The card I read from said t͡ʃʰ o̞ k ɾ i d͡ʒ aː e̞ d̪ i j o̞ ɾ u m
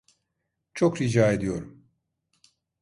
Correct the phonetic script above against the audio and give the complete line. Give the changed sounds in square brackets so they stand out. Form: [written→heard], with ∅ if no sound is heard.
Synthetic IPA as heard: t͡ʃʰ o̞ k ɾ i d͡ʒ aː e̞ d̪ i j o̞ ɾ u m